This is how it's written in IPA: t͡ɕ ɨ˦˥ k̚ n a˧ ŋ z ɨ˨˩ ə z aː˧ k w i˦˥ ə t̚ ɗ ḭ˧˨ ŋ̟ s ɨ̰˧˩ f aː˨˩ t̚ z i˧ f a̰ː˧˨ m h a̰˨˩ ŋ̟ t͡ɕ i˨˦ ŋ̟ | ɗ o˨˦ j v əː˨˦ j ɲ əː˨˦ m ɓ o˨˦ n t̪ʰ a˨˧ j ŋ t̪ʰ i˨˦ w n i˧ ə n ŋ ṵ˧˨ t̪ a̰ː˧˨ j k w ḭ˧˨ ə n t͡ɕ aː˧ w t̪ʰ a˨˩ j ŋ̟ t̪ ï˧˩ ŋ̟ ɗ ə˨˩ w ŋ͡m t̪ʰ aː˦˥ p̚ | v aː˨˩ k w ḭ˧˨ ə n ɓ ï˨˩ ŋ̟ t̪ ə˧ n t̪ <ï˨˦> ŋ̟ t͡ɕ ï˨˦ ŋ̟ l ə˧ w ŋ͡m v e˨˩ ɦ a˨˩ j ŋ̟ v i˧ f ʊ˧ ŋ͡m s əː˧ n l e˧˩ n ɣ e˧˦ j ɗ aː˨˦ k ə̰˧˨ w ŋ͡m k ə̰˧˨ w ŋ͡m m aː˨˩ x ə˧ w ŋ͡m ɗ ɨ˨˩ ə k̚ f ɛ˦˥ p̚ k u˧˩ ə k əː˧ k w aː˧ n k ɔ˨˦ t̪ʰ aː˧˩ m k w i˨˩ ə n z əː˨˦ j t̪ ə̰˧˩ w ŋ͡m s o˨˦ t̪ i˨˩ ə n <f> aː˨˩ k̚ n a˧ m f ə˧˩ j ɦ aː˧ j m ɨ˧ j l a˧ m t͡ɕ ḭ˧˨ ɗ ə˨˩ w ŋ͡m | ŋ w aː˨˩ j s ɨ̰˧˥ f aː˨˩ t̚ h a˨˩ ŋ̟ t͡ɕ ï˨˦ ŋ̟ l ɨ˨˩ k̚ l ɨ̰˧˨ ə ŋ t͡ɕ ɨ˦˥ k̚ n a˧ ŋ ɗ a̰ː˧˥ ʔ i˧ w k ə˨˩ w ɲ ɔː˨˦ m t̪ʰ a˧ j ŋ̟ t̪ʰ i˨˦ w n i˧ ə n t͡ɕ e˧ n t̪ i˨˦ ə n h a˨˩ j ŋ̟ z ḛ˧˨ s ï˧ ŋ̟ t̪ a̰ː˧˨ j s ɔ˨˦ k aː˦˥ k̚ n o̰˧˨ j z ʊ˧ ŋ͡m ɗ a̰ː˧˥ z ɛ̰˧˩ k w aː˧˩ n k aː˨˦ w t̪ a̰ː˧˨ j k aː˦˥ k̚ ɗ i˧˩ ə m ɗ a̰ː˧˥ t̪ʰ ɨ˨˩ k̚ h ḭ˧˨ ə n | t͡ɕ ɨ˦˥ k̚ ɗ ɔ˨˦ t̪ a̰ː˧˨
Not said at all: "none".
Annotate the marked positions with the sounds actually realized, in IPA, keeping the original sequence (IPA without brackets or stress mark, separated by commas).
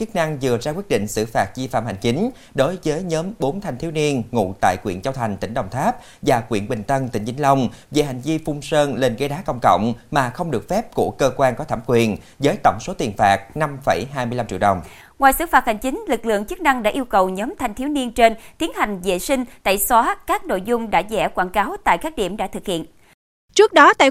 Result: ï˧˩, f